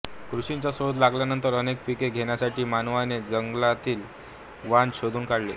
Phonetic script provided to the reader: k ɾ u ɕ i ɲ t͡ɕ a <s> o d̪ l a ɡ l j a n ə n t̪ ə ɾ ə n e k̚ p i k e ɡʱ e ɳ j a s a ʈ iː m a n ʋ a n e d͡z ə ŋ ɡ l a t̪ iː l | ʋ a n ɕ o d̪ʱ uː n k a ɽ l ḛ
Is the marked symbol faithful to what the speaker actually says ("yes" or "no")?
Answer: yes